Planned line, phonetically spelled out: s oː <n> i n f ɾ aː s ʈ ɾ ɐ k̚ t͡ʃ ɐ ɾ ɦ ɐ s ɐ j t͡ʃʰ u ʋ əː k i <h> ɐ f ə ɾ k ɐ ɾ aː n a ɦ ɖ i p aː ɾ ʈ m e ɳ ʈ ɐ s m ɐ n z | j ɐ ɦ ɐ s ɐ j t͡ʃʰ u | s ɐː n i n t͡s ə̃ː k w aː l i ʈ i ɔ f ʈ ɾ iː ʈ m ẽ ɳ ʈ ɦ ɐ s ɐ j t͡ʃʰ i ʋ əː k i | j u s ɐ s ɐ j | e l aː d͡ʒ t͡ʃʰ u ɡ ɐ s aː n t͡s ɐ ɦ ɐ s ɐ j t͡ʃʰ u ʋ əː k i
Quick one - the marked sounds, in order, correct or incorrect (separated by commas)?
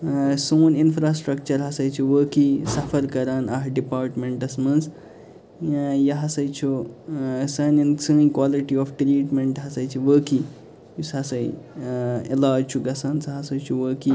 correct, incorrect